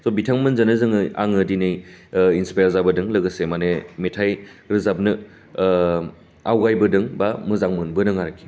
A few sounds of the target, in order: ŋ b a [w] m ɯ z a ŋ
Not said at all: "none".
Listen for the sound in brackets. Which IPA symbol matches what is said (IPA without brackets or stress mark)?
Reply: none